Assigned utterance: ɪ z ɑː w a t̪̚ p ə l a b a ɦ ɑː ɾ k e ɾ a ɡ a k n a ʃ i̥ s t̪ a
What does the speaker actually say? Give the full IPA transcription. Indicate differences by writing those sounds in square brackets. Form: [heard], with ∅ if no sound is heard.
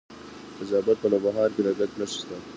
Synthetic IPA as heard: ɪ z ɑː [b] a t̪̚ p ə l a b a ɦ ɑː ɾ k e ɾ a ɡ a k n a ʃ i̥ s t̪ a